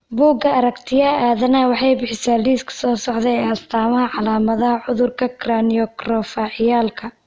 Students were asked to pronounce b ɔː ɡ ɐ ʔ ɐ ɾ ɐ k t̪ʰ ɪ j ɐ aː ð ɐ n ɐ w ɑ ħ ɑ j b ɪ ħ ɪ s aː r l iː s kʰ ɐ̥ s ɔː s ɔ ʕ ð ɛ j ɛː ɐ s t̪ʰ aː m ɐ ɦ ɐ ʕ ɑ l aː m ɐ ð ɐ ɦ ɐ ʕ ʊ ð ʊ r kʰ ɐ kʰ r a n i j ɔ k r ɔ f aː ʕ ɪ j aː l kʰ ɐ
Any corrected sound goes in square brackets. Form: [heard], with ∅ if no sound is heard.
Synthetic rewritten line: b [uː] ɡ ɐ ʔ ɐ ɾ ɐ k t̪ʰ ɪ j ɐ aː ð ɐ n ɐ w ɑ ħ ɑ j b ɪ ħ ɪ s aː [∅] l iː s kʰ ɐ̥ s ɔː s ɔ ʕ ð ɛ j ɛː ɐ s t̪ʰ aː m ɐ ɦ ɐ ʕ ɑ l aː m ɐ ð ɐ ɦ ɐ ʕ ʊ ð ʊ r kʰ ɐ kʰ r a n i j ɔ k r ɔ f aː ʕ ɪ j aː l kʰ ɐ

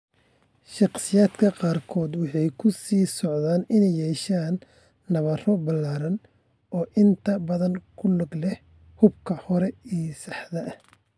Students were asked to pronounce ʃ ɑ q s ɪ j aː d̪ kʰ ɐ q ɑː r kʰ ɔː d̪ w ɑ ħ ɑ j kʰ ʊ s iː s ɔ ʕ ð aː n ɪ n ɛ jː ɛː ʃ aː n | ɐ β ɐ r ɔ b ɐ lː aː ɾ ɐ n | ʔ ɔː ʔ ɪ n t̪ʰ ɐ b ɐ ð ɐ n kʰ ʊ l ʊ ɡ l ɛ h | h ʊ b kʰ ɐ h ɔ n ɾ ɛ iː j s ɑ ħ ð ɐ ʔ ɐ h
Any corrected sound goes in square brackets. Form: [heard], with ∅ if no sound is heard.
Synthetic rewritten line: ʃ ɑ q s ɪ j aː d̪ kʰ ɐ q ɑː r kʰ ɔː d̪ w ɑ ħ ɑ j kʰ ʊ s iː s ɔ ʕ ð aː n ɪ n ɛ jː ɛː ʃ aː [nː] | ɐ β ɐ r ɔ b ɐ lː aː ɾ ɐ n | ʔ ɔː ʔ ɪ n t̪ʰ ɐ b ɐ ð ɐ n kʰ ʊ l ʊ ɡ l ɛ h | h ʊ b kʰ ɐ h ɔ [∅] ɾ ɛ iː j s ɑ ħ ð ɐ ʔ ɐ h

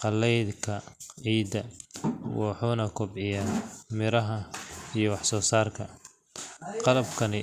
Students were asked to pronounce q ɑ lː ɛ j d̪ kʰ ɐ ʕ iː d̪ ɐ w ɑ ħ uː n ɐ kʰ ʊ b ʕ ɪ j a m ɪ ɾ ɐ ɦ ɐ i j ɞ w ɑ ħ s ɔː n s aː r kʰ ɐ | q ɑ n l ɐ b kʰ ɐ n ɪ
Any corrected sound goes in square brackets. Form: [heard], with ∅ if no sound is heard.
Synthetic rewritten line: q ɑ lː ɛ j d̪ kʰ ɐ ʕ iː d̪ ɐ w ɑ ħ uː n ɐ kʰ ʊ b ʕ ɪ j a m ɪ ɾ ɐ ɦ ɐ i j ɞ w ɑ ħ s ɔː [∅] s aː r kʰ ɐ | q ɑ [∅] l ɐ b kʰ ɐ n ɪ

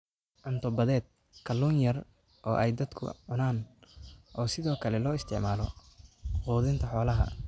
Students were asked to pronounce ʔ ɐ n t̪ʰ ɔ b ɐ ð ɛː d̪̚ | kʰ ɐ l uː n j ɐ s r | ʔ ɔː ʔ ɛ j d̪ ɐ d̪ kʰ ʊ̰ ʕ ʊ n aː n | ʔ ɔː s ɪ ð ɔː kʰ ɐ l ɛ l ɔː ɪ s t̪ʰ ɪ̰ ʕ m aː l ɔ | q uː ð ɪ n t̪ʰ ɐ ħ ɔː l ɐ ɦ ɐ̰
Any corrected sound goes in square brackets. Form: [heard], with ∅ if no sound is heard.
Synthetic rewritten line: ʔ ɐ n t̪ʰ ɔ b ɐ ð ɛː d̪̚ | kʰ ɐ l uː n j ɐ [∅] r | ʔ ɔː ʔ ɛ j d̪ ɐ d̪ kʰ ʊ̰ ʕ ʊ n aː n | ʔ ɔː s ɪ ð ɔː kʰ ɐ l ɛ l ɔː ɪ s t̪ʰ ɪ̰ ʕ m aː l ɔ | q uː ð ɪ n t̪ʰ ɐ ħ ɔː l ɐ ɦ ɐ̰

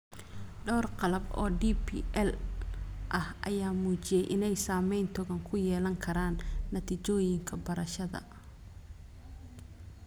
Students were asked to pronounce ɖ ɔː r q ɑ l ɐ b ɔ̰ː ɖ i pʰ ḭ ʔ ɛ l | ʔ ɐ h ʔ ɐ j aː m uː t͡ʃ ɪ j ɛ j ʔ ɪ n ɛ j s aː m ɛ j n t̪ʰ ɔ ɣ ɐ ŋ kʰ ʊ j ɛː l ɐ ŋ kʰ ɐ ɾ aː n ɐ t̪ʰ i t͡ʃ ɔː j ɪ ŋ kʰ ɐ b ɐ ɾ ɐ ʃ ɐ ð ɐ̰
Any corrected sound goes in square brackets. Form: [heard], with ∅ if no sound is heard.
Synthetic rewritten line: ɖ ɔː r q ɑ l ɐ b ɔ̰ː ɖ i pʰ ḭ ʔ ɛ l | ʔ ɐ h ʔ ɐ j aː m uː t͡ʃ ɪ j ɛ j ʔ ɪ n ɛ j s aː m ɛ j n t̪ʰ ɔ ɣ ɐ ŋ kʰ ʊ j ɛː l ɐ ŋ kʰ ɐ ɾ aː [nː] ɐ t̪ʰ i t͡ʃ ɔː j ɪ ŋ kʰ ɐ b ɐ ɾ ɐ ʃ ɐ ð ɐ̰

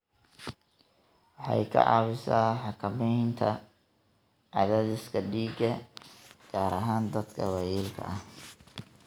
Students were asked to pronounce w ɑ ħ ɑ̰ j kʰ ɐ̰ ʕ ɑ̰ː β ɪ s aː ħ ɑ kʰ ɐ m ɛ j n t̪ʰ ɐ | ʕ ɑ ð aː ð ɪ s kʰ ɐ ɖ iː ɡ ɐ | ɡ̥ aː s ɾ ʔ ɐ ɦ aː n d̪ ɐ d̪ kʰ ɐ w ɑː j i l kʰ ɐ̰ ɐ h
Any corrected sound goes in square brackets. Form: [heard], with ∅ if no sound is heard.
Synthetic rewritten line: w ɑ ħ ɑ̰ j kʰ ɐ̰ ʕ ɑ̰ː β ɪ s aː ħ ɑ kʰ ɐ m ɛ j n t̪ʰ ɐ | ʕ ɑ ð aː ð ɪ s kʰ ɐ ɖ iː ɡ ɐ | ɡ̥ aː [∅] ɾ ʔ ɐ ɦ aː n d̪ ɐ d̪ kʰ ɐ w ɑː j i l kʰ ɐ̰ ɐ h

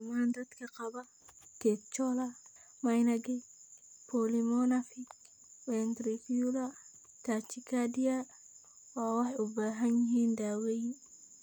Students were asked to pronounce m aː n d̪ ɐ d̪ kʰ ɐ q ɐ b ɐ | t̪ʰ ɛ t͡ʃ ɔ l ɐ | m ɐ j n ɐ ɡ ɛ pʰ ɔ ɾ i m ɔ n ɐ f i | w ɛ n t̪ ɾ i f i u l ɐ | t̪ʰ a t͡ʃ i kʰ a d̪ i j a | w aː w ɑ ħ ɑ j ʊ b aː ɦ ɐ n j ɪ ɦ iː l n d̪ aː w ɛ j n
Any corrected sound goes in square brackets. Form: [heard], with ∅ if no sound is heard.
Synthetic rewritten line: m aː n d̪ ɐ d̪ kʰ ɐ q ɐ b ɐ | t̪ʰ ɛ t͡ʃ ɔ l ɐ | m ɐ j n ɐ ɡ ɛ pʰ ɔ [l] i m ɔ n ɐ f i | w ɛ n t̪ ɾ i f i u l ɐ | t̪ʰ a t͡ʃ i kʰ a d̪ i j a | w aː w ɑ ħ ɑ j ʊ b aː ɦ ɐ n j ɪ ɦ iː [∅] n d̪ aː w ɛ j n

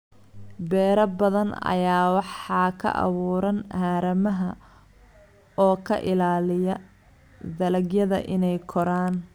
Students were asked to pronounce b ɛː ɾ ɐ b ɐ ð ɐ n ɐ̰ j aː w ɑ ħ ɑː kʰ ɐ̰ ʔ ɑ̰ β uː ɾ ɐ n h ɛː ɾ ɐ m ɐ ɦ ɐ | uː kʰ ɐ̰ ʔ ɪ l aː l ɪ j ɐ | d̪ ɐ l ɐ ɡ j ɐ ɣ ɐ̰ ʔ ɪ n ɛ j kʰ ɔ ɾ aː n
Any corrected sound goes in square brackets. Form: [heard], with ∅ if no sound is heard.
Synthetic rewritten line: b ɛː ɾ ɐ b ɐ ð ɐ n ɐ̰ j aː w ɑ ħ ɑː kʰ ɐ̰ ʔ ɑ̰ β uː ɾ ɐ n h [aː] ɾ ɐ m ɐ ɦ ɐ | [ɔː] kʰ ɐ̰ ʔ ɪ l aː l ɪ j ɐ | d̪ ɐ l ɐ ɡ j ɐ [ð] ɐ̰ ʔ ɪ n ɛ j kʰ ɔ ɾ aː n

